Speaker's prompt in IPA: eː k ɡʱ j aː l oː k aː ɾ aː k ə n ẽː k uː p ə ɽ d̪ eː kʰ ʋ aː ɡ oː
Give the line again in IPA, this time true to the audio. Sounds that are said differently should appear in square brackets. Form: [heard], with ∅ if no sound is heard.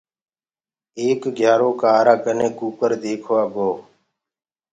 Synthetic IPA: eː k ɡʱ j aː [ɾ] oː k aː ɾ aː k ə n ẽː k uː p ə [ɾ] d̪ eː kʰ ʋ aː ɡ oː